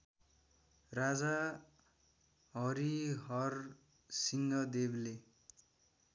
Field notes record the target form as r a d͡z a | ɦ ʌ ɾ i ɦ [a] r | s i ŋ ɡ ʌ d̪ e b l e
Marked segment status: incorrect: ʌ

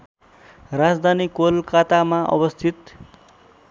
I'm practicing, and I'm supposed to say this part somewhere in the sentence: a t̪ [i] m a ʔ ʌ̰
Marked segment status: incorrect: a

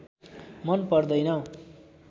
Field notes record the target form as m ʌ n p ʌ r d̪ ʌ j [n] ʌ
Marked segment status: correct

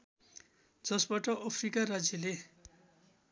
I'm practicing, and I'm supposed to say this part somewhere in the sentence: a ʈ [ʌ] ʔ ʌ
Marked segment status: correct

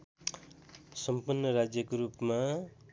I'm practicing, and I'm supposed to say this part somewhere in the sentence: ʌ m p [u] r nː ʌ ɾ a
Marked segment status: correct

